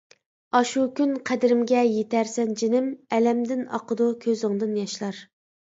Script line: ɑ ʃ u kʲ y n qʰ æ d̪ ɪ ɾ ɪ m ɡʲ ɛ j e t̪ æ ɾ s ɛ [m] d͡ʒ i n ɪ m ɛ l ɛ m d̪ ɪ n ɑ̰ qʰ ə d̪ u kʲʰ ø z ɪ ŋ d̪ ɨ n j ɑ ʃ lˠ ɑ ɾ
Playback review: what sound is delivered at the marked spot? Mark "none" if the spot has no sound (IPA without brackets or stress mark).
n